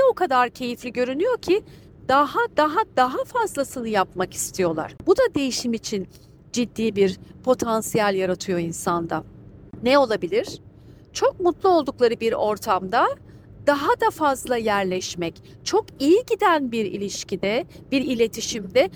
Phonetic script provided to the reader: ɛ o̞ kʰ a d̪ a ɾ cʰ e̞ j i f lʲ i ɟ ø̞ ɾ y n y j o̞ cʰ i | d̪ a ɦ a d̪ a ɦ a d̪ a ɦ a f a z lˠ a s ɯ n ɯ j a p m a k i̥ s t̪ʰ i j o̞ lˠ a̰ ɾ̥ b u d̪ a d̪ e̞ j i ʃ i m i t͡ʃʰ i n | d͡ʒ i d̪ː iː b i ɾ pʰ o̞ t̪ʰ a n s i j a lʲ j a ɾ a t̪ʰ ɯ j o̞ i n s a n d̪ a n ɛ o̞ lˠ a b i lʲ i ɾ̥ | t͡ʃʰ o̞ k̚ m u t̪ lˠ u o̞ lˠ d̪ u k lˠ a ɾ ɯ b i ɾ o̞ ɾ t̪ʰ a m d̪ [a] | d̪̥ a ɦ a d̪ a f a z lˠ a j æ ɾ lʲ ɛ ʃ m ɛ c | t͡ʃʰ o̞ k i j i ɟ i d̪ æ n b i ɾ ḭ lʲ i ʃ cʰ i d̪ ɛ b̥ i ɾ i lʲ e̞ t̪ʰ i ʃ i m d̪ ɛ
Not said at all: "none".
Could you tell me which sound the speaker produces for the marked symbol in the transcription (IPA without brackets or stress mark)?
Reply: a